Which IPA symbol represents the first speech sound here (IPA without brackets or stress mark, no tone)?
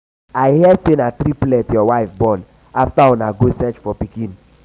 a